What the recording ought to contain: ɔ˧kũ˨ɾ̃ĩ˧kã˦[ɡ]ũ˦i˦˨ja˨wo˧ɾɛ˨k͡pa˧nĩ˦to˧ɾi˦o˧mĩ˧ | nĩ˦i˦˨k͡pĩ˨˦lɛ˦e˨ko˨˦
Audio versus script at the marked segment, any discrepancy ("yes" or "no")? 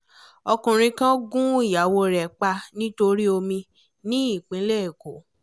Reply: no